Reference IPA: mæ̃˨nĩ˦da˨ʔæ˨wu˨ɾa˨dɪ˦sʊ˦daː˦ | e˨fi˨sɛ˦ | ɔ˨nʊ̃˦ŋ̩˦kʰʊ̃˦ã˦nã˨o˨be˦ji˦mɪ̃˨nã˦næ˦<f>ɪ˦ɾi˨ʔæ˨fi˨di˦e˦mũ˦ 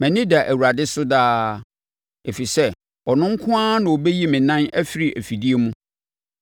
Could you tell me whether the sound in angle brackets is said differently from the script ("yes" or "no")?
no